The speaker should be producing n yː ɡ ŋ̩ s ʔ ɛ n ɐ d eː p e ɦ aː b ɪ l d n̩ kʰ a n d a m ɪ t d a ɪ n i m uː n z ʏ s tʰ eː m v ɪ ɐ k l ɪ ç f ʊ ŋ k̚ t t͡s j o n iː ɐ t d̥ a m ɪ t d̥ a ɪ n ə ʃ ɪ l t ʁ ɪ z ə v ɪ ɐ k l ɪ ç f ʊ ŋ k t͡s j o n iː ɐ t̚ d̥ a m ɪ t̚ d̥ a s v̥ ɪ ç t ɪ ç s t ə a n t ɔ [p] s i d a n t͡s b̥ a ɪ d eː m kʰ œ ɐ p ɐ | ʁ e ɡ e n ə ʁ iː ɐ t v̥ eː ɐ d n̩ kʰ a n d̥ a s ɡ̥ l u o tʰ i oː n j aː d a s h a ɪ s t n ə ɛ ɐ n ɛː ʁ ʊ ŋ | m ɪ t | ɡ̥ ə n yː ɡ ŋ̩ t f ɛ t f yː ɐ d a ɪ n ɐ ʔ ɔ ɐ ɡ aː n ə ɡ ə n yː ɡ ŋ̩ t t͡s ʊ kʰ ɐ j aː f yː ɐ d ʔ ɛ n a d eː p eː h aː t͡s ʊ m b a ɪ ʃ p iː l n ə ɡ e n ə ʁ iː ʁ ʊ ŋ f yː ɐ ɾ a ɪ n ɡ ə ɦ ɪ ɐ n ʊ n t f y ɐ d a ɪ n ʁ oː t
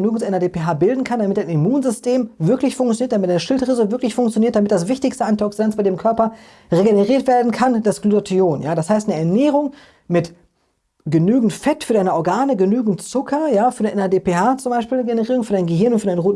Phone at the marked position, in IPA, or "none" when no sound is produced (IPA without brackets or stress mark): k